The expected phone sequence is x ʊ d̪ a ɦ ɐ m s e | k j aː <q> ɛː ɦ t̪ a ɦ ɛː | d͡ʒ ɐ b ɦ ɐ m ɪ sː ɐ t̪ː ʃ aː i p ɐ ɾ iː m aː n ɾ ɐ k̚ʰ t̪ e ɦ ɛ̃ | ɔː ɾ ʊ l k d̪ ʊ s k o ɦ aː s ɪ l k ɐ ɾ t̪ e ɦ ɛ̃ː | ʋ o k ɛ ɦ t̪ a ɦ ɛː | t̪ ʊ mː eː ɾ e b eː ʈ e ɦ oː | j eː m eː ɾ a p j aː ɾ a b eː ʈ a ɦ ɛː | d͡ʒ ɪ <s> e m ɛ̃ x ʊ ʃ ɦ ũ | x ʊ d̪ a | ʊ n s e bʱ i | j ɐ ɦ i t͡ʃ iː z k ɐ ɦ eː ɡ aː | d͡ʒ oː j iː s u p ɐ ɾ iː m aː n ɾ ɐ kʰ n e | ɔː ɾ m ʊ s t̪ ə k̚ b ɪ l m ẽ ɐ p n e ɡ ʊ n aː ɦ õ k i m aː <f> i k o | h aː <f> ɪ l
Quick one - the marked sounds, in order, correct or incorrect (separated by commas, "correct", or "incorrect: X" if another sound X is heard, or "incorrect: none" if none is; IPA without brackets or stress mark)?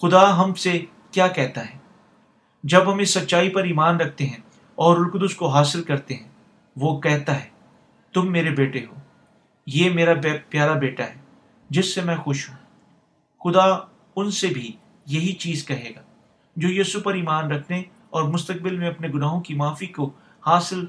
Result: incorrect: k, incorrect: sː, correct, incorrect: s